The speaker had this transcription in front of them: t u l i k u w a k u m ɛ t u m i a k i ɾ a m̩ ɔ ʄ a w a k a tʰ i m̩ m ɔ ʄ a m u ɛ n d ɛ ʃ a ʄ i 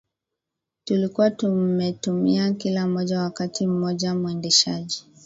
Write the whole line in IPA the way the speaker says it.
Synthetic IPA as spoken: t u l i k u w a t u m ɛ t u m i a k i l a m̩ ɔ ʄ a w a k a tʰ i m̩ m ɔ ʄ a m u ɛ n d ɛ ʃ a ʄ i